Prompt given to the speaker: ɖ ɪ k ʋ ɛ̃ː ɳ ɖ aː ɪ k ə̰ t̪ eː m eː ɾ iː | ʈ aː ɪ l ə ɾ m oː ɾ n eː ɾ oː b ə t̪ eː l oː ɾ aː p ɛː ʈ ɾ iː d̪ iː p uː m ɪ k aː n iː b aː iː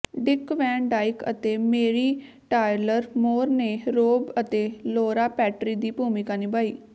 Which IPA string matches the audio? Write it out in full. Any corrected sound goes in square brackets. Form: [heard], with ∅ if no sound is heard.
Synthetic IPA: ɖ ɪ k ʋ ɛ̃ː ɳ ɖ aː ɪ k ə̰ t̪ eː m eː ɾ iː | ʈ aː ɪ l ə ɾ m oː ɾ n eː ɾ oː b ə t̪ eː l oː ɾ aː p ɛː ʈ ɾ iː d̪ iː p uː m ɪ k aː n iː b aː iː